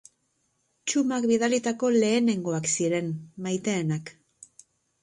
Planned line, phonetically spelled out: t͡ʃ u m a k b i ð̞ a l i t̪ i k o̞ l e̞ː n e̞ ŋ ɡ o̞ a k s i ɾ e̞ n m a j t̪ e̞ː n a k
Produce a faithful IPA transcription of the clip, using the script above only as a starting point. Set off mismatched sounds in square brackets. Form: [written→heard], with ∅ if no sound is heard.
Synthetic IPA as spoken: t͡ʃ u m a k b i ð̞ a l i t̪ [i→a] k o̞ l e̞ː n e̞ ŋ ɡ o̞ a k s i ɾ e̞ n m a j t̪ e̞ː n a k